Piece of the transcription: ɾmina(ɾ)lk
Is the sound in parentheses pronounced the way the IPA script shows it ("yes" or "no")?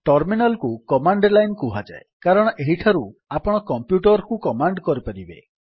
no